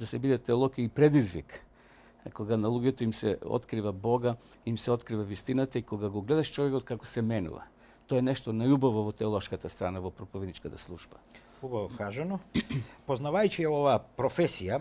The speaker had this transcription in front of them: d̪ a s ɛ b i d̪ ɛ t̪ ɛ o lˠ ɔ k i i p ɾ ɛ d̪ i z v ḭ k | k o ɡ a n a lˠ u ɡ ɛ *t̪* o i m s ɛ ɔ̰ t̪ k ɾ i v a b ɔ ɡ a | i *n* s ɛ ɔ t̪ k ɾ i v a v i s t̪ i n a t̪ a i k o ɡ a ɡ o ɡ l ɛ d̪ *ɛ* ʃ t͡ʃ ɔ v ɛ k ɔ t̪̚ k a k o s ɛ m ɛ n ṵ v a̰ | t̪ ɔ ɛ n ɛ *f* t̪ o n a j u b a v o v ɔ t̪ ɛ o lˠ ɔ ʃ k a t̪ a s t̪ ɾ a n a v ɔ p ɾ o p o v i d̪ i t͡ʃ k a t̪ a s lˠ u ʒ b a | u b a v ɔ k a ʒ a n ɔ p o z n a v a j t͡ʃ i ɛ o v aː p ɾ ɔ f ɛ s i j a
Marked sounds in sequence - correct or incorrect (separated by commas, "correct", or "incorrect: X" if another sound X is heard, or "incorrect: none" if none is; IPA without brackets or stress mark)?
correct, incorrect: m, incorrect: a, incorrect: ʃ